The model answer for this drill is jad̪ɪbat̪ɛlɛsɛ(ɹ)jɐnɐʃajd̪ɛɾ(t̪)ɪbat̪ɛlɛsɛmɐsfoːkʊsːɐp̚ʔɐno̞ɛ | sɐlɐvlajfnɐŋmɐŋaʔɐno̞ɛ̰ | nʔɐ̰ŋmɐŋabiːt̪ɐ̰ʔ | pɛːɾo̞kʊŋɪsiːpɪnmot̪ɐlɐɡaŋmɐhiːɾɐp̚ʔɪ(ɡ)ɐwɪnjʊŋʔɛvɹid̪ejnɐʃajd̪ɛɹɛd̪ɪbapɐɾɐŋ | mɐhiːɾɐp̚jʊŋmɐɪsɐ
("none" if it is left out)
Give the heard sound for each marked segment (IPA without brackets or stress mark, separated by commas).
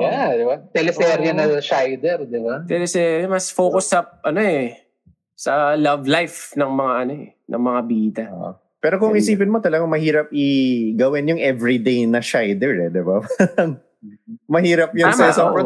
ɾ, d̪, ɡ